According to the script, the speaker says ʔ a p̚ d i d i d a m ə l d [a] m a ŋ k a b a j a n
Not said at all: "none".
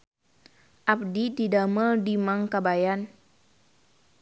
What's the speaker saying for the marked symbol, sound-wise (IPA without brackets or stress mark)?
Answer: i